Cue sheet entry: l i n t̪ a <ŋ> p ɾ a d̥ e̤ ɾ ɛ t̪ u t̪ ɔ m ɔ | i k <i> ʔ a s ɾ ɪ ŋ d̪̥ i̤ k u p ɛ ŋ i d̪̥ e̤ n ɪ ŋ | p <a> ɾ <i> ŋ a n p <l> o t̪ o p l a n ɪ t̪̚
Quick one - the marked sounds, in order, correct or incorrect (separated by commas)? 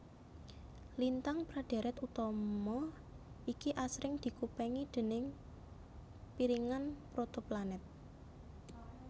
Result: correct, correct, incorrect, correct, incorrect